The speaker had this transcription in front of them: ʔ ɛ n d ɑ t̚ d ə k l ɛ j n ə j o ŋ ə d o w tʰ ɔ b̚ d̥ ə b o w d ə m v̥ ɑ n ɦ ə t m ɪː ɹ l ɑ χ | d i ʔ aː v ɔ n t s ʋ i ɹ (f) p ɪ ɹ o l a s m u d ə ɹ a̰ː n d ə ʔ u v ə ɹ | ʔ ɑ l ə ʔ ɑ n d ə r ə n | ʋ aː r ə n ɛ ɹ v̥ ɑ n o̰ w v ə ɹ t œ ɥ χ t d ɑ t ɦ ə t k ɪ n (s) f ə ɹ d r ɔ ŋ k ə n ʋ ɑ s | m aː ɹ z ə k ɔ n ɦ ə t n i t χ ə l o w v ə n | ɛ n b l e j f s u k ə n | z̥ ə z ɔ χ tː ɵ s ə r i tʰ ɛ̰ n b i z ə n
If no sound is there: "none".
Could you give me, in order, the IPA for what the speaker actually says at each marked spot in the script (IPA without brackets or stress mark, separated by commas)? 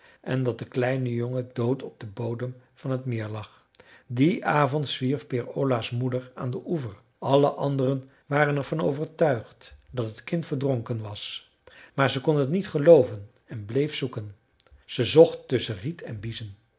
f, t